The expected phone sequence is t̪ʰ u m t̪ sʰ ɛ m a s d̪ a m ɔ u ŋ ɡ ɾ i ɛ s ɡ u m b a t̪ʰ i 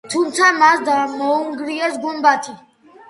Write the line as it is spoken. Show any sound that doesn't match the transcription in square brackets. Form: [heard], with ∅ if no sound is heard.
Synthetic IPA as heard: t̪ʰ u m t̪ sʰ [a] m a s d̪ a m ɔ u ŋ ɡ ɾ i ɛ s ɡ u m b a t̪ʰ i

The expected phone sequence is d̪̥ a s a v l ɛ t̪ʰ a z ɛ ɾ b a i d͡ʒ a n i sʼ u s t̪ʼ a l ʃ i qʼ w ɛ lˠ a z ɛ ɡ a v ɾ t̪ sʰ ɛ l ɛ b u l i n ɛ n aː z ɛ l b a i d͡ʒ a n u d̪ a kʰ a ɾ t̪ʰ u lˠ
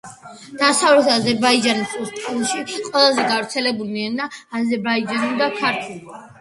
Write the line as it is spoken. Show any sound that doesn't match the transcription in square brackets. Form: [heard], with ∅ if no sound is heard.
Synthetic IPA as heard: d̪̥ a s a v l ɛ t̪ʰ a z ɛ ɾ b a i d͡ʒ a n i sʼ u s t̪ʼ a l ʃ i qʼ w ɛ lˠ a z ɛ ɡ a v ɾ t̪ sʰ ɛ l ɛ b u l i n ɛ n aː z ɛ [ɾ] b a i d͡ʒ a n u d̪ a kʰ a ɾ t̪ʰ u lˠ

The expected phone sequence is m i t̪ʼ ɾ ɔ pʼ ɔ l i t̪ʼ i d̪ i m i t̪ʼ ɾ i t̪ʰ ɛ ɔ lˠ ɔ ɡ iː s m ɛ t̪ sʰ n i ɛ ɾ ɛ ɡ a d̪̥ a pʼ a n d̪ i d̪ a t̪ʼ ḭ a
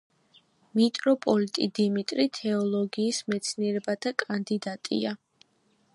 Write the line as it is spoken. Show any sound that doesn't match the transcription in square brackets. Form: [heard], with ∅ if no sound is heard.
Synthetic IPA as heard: m i t̪ʼ ɾ ɔ pʼ ɔ l i t̪ʼ i d̪ i m i t̪ʼ ɾ i t̪ʰ ɛ ɔ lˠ ɔ ɡ iː s m ɛ t̪ sʰ n i ɛ ɾ ɛ [b] a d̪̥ a [kʼ] a n d̪ i d̪ a t̪ʼ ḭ a

